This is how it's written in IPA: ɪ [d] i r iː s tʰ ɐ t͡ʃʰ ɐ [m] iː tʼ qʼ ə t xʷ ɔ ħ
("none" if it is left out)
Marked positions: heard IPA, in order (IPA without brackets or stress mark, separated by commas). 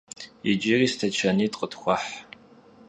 d͡ʒ, n